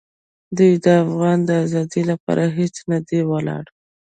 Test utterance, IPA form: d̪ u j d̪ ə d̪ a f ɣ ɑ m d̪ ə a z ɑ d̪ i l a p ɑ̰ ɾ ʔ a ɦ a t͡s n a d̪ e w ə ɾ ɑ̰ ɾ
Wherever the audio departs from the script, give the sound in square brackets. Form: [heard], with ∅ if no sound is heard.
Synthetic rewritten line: d̪ u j d̪ ə [∅] a f ɣ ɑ [n] d̪ ə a z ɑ d̪ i l a p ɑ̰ ɾ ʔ a ɦ [e] t͡s n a d̪ e w ə [l] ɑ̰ [ɽ]